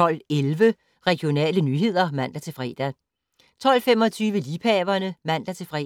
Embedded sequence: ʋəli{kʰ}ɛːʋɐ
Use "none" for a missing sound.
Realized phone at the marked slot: pʰ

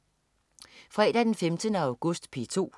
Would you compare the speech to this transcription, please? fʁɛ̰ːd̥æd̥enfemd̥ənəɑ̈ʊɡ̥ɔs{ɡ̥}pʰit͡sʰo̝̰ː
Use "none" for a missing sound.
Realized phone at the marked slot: d̥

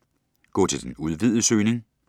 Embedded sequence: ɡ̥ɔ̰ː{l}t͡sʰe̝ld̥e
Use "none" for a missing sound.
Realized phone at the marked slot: none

